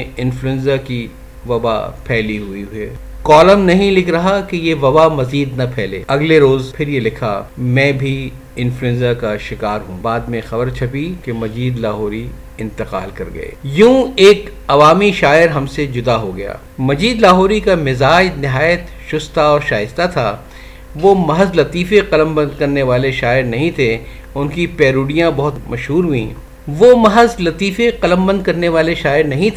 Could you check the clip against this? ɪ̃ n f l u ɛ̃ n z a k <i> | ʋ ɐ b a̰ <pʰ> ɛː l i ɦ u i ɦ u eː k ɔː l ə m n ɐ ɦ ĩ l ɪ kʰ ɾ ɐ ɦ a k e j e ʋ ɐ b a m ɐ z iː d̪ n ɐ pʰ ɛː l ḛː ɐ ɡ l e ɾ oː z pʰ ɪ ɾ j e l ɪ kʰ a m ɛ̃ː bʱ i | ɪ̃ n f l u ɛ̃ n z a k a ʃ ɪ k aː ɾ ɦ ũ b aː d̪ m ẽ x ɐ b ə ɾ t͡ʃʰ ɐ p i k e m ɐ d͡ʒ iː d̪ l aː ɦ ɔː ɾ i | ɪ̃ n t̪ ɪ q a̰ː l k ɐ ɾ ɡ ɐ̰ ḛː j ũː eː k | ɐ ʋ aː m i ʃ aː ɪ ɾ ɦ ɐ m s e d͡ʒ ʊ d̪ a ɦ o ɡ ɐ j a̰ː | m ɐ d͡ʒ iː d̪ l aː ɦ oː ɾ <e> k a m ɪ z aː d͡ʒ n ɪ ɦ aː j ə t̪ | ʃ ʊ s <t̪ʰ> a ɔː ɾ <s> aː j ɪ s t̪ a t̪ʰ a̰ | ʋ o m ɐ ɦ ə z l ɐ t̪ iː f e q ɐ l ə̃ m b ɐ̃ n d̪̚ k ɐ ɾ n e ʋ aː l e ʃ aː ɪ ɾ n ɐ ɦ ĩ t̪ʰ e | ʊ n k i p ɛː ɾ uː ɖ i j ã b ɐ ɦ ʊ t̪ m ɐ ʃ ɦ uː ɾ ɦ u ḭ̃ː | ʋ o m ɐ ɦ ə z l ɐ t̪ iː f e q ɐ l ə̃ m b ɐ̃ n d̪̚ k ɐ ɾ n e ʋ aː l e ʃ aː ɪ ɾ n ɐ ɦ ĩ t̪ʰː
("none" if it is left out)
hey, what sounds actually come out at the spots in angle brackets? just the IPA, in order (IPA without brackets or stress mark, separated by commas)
i, pʰ, i, t̪, ʃ